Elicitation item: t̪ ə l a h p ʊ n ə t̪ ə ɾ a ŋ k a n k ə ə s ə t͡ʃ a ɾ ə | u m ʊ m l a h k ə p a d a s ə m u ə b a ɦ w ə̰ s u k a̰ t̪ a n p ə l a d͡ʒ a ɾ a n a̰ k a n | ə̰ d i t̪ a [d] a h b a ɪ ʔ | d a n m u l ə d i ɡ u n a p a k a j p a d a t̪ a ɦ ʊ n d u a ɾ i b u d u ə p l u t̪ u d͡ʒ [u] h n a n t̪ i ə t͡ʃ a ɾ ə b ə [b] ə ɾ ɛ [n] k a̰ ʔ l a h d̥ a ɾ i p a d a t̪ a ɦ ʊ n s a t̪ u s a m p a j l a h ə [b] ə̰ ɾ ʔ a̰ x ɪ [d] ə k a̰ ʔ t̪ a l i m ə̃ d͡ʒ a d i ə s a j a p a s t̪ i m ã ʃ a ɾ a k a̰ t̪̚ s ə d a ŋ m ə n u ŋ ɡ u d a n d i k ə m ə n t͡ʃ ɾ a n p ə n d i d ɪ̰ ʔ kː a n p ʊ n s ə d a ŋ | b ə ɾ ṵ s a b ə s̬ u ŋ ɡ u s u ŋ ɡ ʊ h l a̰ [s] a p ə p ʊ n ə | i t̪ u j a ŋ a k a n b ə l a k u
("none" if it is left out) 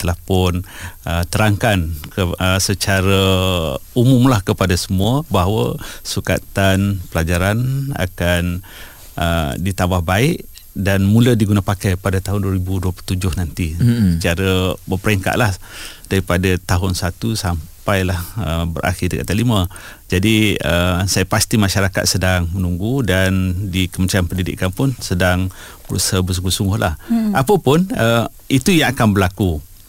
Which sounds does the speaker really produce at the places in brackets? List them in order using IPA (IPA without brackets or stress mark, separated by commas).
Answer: b, ʊ, p, ŋ, b, d, h